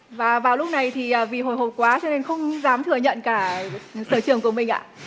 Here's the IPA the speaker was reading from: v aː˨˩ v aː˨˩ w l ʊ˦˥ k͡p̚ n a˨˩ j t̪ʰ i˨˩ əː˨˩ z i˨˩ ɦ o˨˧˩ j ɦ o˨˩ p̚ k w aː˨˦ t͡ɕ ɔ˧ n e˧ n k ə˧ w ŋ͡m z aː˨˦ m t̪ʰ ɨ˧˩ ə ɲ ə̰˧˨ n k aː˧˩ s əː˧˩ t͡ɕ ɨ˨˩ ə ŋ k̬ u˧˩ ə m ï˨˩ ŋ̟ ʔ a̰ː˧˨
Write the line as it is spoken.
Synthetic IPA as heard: v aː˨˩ v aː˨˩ w l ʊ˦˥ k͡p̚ n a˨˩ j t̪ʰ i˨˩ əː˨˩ v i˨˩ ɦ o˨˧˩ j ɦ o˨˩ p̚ k w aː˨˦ t͡ɕ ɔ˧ n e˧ n x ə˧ w ŋ͡m z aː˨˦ m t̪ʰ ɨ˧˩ ə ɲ ə̰˧˨ n k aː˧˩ s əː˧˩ t͡ɕ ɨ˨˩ ə ŋ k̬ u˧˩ ə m ï˨˩ ŋ̟ ʔ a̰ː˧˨